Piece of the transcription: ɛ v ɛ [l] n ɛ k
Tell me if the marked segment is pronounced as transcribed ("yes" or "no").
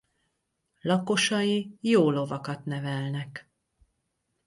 yes